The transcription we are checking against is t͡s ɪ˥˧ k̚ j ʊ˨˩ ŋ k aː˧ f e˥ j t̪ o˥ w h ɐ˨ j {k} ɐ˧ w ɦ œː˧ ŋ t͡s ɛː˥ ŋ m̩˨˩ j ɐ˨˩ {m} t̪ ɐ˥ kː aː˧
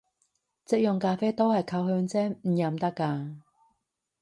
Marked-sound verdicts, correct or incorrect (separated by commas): incorrect, correct